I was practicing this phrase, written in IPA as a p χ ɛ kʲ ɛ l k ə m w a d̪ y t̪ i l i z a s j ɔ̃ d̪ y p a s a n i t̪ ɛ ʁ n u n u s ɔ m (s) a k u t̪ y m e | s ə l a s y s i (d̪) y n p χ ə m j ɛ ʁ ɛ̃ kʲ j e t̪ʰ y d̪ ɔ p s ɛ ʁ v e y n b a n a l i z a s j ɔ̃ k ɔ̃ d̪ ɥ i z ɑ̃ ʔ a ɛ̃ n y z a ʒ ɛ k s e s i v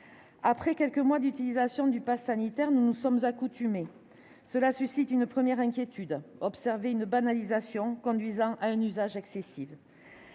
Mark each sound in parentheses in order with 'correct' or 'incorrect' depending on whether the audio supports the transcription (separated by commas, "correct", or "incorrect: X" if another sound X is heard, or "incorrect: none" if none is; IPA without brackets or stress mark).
incorrect: z, incorrect: t̪